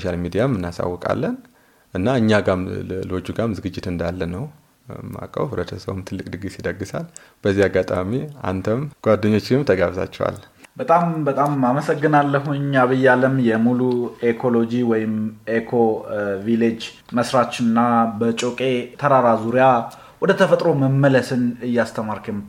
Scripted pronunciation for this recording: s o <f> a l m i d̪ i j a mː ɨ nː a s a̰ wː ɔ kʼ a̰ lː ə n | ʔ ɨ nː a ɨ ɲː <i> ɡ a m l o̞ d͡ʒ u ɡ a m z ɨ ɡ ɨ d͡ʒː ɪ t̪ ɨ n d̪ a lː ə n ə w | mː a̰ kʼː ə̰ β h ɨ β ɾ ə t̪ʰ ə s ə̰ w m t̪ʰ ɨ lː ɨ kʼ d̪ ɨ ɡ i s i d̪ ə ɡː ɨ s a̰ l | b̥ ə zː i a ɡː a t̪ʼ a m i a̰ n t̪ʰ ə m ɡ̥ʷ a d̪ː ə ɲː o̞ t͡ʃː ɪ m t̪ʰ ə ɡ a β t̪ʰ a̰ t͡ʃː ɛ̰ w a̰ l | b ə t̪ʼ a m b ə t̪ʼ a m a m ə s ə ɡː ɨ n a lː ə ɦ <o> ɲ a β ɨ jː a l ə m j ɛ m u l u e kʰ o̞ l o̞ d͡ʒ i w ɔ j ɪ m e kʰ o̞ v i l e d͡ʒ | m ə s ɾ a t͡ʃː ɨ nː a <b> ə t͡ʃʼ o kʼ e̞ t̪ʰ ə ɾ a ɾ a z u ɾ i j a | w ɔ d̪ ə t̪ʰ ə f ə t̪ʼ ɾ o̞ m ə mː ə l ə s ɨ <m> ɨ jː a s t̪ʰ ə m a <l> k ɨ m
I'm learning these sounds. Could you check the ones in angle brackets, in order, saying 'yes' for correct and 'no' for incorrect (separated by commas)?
no, no, no, yes, no, no